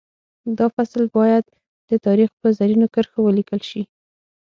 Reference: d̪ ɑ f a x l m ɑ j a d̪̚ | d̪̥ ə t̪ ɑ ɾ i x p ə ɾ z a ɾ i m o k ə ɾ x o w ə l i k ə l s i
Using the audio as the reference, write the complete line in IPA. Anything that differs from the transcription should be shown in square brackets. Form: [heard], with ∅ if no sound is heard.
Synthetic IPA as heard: d̪ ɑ f a [s] l [b] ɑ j a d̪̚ | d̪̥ ə t̪ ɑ ɾ i x p ə [∅] z a ɾ i [n] o k ə ɾ x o w ə l i k ə l [ʃ] i